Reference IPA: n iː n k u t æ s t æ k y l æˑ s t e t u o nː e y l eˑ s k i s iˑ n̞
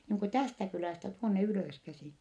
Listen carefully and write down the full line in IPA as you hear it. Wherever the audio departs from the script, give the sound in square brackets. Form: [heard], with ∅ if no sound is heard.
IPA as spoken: n iː [ŋ] k u t æ s t æ k y l æˑ s t [æ] t u o nː e y l [øˑ] s k [æ] s iˑ n̞